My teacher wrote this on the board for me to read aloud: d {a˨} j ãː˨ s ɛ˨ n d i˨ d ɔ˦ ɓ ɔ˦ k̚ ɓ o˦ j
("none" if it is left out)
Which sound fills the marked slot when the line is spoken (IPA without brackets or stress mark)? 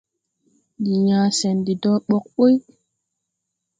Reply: i˨